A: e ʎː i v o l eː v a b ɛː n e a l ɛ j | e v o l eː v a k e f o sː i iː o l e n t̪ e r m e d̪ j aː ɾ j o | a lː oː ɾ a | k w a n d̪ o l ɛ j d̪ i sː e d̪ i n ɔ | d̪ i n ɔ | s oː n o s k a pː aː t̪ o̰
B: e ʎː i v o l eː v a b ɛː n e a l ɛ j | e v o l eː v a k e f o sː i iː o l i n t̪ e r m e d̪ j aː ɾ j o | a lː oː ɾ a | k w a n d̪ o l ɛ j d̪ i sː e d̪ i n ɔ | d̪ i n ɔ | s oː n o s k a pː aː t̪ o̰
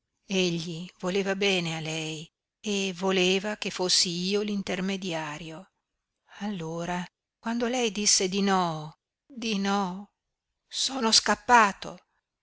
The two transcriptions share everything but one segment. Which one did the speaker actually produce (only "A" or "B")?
B